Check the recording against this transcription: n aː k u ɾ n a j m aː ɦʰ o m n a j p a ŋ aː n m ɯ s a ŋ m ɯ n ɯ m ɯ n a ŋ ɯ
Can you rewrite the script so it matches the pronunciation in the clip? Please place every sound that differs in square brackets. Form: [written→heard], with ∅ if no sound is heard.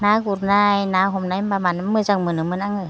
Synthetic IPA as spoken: n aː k u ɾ n a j [m→n] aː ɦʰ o m n a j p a [ŋ→m] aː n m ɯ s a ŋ m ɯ n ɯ m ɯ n a ŋ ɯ